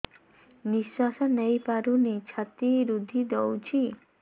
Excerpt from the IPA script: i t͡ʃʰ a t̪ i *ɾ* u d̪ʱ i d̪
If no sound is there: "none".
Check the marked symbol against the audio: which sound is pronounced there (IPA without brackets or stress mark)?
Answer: ɾ